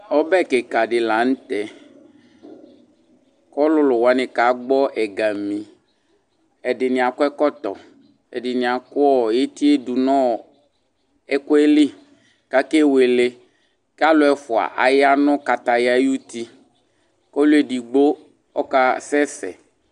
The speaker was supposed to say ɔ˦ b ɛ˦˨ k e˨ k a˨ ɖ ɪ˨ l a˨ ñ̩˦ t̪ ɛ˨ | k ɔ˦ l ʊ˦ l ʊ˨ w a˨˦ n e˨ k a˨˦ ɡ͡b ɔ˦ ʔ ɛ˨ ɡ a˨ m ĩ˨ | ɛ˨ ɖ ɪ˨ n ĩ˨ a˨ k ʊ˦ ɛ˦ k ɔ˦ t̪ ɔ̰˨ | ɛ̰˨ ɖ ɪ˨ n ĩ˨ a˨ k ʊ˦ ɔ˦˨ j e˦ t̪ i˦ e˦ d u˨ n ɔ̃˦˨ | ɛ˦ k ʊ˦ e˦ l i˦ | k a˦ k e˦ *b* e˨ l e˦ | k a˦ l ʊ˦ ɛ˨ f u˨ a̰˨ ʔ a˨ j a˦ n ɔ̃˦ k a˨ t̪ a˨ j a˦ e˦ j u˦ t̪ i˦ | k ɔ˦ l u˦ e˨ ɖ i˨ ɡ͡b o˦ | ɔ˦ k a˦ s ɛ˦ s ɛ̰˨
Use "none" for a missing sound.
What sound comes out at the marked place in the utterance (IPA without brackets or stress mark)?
w